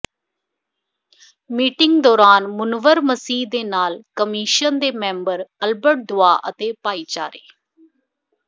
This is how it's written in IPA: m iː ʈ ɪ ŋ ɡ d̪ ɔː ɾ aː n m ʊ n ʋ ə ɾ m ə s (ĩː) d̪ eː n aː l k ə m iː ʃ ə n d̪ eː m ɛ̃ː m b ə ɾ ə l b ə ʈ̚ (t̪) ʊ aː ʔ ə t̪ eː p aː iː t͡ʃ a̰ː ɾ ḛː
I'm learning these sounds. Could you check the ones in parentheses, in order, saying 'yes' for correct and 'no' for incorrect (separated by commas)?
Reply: no, no